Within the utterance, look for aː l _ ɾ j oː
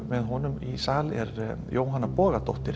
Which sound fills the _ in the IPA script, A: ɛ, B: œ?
A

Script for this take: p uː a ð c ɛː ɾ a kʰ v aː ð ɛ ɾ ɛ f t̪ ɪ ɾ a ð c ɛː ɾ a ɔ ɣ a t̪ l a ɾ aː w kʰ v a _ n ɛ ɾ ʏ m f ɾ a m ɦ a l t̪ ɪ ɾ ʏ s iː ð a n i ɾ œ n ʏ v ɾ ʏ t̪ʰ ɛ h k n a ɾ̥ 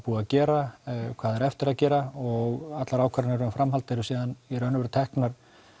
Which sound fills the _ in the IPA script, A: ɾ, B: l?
A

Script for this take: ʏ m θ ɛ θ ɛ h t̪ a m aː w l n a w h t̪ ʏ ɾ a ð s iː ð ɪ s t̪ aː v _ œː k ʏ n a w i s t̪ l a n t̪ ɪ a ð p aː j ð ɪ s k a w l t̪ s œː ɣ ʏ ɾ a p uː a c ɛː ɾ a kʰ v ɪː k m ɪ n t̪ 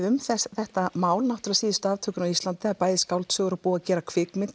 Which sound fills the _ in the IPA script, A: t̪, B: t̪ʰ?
B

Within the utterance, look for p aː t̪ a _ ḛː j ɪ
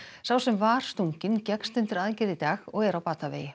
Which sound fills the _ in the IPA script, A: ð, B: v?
B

